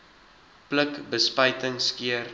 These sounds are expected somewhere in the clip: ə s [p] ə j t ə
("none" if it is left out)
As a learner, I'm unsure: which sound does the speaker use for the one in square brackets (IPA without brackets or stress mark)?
p